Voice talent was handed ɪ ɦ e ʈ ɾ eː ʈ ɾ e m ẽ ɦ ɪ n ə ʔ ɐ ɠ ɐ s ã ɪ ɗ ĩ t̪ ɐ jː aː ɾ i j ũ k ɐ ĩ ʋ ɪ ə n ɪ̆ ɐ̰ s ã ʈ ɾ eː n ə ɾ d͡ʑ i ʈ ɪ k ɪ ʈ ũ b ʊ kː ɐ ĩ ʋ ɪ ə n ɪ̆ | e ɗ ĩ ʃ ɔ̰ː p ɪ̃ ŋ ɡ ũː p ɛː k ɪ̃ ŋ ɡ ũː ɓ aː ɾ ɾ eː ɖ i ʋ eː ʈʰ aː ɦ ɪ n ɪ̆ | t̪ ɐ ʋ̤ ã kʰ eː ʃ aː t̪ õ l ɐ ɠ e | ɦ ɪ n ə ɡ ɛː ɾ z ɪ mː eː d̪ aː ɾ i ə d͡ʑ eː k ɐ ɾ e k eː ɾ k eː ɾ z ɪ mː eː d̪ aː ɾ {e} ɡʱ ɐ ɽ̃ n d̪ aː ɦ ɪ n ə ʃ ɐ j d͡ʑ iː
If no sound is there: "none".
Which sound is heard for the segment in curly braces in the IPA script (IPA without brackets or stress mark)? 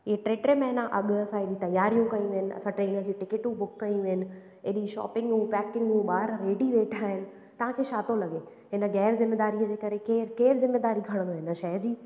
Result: i